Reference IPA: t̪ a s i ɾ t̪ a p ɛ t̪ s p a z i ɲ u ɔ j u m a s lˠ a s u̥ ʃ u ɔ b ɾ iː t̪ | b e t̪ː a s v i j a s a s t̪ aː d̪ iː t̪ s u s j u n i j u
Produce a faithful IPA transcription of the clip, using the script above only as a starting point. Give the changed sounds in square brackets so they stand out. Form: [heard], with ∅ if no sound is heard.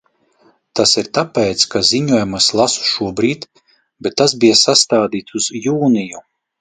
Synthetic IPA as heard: t̪ a s i ɾ t̪ a p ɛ t̪ s [k] a z i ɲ u ɔ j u m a s lˠ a s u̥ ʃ u ɔ b ɾ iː t̪ | b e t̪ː a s [b] i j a s a s t̪ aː d̪ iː t̪ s u [z] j [uː] n i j u